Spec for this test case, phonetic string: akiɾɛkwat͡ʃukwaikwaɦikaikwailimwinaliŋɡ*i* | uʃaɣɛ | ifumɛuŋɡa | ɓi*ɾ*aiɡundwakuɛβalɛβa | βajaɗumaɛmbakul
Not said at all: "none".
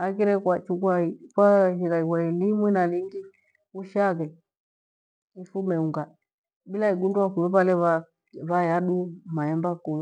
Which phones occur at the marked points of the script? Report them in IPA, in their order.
i, l

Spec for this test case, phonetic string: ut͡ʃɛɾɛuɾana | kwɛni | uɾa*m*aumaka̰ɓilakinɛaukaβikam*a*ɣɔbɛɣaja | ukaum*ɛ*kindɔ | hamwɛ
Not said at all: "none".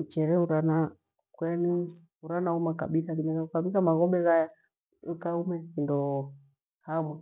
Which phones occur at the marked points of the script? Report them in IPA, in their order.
n, a, ɛ

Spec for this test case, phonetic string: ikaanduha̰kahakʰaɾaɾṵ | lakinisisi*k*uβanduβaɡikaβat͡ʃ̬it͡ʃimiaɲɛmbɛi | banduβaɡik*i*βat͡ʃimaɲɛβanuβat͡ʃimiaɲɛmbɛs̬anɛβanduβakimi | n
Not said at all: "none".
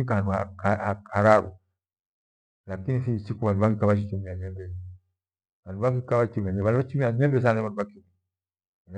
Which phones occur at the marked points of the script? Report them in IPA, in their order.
k, a

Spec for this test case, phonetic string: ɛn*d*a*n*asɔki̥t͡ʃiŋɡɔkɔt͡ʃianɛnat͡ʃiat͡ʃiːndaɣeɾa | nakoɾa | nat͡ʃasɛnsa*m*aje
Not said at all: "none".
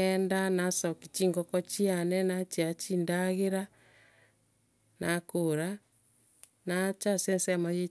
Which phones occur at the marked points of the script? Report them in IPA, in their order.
d, n, m

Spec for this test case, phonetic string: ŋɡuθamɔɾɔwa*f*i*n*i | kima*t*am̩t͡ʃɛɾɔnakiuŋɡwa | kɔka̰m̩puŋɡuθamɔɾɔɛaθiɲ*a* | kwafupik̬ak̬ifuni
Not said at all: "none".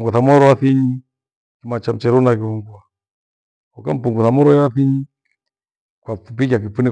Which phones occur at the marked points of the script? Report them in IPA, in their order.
θ, ɲ, t͡ʃ, i

